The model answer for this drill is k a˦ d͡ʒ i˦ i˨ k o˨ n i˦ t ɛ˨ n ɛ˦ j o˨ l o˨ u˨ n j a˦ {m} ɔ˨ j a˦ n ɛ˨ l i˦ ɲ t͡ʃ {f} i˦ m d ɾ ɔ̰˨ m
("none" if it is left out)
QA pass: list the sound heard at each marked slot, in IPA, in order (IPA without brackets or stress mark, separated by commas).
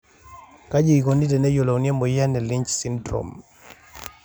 m, s